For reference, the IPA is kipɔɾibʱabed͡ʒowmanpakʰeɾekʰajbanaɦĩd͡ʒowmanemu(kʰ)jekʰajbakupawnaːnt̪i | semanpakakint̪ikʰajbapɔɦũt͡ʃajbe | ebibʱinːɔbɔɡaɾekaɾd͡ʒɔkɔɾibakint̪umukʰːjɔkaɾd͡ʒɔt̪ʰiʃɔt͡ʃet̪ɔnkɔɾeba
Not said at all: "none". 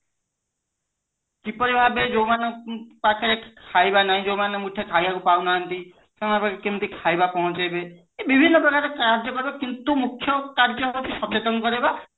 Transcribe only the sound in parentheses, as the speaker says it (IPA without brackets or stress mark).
ʈʰ